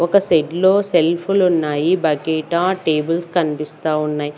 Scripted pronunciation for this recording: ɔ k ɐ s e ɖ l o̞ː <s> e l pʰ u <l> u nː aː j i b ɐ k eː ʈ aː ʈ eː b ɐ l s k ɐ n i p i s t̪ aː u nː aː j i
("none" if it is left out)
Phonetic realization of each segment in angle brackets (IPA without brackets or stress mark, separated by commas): s, l